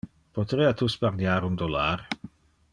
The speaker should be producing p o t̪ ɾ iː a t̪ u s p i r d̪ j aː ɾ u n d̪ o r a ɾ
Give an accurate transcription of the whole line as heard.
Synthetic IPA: p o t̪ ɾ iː a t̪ u s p a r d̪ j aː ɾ u n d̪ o l a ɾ